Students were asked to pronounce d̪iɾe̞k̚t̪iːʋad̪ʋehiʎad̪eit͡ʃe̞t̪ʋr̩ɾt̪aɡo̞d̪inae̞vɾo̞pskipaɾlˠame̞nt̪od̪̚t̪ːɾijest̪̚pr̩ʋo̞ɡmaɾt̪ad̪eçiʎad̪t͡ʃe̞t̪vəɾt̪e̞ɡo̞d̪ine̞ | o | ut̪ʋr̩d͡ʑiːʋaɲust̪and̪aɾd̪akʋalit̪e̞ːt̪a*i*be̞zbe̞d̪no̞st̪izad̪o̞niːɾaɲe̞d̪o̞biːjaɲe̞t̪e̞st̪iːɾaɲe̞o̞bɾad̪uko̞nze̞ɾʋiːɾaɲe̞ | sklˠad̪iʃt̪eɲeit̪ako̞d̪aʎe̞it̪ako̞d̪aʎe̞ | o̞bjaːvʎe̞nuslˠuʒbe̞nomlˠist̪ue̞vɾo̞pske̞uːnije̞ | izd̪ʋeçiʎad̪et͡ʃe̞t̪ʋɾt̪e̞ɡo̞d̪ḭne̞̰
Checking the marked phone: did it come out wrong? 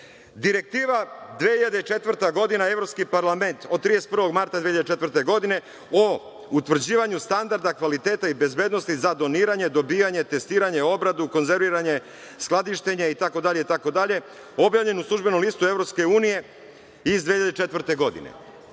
no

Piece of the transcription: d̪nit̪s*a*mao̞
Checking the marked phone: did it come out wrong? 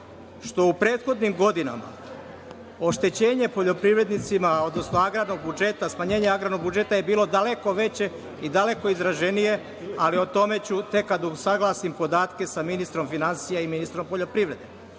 yes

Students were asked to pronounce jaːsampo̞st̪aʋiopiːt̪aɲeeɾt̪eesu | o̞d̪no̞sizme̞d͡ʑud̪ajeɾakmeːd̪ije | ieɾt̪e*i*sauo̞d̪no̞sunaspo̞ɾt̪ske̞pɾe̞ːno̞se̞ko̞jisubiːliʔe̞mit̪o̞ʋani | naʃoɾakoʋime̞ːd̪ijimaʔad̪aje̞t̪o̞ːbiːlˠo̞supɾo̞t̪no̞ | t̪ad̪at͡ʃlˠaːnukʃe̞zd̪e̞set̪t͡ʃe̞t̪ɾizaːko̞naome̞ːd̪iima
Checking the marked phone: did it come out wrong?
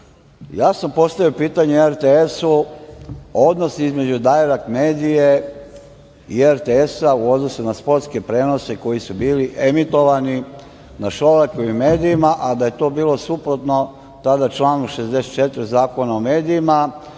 yes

